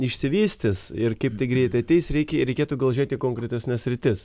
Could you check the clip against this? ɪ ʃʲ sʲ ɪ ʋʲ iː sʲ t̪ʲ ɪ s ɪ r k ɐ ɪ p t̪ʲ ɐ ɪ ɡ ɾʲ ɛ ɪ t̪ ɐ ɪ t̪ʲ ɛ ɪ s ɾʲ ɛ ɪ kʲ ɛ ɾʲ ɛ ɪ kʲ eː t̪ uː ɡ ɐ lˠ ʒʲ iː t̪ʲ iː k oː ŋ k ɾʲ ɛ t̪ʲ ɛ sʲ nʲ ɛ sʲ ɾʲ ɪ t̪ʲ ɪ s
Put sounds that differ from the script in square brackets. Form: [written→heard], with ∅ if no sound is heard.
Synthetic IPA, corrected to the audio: ɪ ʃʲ sʲ ɪ ʋʲ iː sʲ t̪ʲ ɪ s ɪ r k ɐ ɪ p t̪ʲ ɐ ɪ ɡ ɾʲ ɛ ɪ t̪ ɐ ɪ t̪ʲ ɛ ɪ s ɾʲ ɛ ɪ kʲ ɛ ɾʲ ɛ ɪ kʲ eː t̪ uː ɡ ɐ lˠ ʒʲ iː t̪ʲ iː k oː ŋ k ɾʲ ɛ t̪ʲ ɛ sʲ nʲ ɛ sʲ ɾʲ ɪ t̪ʲ ɪ s